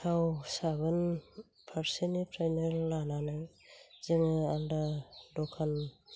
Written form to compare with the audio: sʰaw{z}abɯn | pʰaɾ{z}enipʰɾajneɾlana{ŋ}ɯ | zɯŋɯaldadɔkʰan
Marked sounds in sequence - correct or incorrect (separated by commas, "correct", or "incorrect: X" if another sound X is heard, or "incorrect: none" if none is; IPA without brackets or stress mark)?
incorrect: s, incorrect: s, incorrect: n